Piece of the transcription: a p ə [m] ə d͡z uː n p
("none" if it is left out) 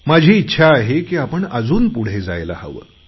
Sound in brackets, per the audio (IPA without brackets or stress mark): ɳ